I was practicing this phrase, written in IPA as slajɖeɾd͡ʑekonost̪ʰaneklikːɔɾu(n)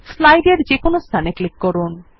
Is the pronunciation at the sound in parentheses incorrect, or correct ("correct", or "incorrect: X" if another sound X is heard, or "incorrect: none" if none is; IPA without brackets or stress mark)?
correct